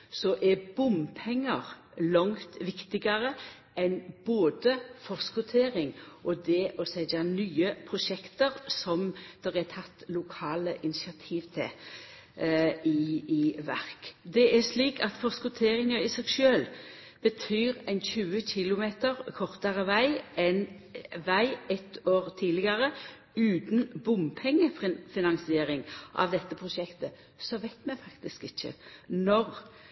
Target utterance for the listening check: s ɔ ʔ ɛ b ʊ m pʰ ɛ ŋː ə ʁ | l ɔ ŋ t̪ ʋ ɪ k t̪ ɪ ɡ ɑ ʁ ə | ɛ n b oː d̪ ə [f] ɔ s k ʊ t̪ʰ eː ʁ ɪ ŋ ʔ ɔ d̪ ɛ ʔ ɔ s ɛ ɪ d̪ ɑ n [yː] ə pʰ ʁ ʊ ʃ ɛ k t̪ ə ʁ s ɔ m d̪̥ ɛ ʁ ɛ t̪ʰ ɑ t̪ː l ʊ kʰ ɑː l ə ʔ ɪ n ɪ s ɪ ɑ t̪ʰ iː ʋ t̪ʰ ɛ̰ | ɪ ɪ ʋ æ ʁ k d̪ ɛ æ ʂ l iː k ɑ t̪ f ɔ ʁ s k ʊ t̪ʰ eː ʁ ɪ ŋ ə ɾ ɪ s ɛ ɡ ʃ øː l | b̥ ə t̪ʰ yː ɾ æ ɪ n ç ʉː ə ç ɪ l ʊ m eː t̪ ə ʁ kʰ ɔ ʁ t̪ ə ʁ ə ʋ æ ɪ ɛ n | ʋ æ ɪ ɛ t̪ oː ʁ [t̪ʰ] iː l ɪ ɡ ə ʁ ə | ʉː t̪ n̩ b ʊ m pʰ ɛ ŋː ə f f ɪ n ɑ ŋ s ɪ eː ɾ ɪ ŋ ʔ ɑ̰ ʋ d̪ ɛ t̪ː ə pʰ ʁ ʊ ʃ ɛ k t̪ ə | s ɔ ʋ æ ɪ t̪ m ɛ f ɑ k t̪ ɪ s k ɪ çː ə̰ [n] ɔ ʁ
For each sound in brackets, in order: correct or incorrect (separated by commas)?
correct, correct, correct, correct